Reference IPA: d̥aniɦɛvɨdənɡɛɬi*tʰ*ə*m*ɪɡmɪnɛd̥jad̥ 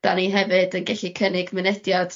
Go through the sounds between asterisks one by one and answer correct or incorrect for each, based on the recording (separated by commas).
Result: incorrect, incorrect